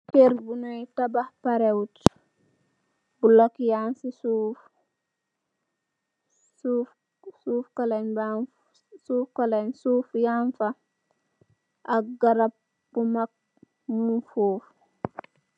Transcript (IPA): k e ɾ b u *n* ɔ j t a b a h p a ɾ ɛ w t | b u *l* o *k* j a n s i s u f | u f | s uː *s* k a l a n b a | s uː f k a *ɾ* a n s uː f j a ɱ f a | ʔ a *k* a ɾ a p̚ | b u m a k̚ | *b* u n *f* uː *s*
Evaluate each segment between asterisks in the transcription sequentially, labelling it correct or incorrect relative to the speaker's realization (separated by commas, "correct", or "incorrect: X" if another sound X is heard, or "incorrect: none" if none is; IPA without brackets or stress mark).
correct, correct, correct, incorrect: f, incorrect: l, incorrect: ɡ, incorrect: m, correct, incorrect: f